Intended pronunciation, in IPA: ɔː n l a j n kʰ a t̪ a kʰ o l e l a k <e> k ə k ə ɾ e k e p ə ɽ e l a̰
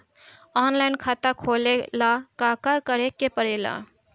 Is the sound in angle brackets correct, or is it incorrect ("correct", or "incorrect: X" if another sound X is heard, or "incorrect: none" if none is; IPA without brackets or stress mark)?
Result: incorrect: a